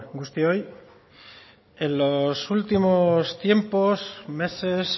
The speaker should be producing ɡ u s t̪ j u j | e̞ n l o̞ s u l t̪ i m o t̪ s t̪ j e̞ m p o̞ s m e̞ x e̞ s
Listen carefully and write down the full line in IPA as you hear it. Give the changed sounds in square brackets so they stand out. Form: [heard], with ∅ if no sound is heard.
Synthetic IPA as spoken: ɡ u s t̪ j [o] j | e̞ n l o̞ s u l t̪ i m o [∅] s t̪ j e̞ m p o̞ s m e̞ [s] e̞ s